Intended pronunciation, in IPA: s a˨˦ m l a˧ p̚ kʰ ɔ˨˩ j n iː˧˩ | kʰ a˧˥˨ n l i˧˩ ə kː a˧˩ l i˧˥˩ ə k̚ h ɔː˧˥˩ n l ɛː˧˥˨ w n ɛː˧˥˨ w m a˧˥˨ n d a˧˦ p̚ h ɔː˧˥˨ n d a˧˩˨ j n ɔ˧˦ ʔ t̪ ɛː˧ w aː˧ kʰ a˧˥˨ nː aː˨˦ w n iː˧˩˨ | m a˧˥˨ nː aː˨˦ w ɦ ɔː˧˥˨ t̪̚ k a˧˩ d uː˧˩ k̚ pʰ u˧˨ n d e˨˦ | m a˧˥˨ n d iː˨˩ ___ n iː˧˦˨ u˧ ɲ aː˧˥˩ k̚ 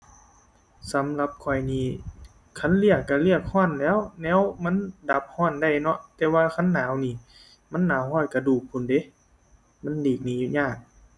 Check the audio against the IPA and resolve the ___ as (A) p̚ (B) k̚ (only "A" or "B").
B